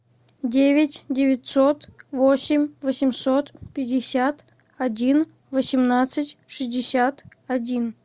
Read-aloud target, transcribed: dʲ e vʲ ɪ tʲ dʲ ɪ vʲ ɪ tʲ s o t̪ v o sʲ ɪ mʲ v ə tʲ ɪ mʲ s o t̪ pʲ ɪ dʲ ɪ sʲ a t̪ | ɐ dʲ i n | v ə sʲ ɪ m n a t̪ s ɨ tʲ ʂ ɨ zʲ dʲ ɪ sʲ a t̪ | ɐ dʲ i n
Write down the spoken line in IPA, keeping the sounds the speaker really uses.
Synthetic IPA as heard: dʲ e vʲ ɪ tʲ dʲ ɪ vʲ ɪ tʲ s o t̪ v o sʲ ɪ mʲ v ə sʲ ɪ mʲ s o t̪ pʲ ɪ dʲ ɪ sʲ a t̪ | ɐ dʲ i n | v ə sʲ ɪ m n a t̪ s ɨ tʲ ʂ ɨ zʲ dʲ ɪ sʲ a t̪ | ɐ dʲ i n